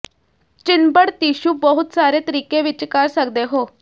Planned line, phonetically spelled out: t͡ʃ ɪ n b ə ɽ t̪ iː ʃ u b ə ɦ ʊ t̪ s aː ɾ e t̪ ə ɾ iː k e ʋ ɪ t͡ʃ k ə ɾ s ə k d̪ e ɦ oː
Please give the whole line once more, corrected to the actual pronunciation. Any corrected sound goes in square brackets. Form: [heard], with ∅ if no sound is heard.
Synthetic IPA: t͡ʃ ɪ n b ə ɽ t̪ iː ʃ u b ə ɦ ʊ t̪ s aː ɾ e t̪ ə ɾ iː k e ʋ ɪ t͡ʃ k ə ɾ s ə k d̪ e ɦ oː